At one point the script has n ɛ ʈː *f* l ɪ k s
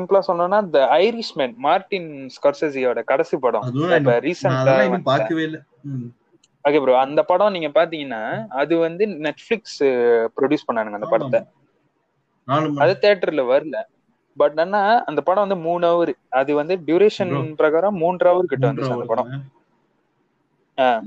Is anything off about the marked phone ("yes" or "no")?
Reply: no